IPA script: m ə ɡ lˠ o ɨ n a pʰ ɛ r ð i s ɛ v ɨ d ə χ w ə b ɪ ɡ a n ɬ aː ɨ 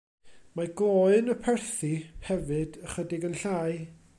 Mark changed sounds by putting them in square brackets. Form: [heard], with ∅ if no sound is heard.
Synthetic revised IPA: m [a] ɡ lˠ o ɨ n [ə] pʰ ɛ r [θ] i [h] ɛ v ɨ d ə χ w ə [d] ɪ ɡ [ə] n ɬ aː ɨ